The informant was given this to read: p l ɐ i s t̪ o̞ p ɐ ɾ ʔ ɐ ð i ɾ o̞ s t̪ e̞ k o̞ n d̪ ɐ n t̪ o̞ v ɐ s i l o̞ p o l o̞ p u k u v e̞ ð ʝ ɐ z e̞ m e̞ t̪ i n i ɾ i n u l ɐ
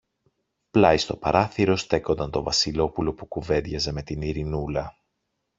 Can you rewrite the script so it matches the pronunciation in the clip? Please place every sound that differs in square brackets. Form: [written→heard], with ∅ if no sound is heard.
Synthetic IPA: p l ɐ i s t̪ o̞ p ɐ ɾ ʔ ɐ [ð→θ] i ɾ o̞ s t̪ e̞ k o̞ n d̪ ɐ n t̪ o̞ v ɐ s i l o̞ p [o→u] l o̞ p u k u v e̞ ð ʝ ɐ z e̞ m e̞ t̪ i n i ɾ i n u l ɐ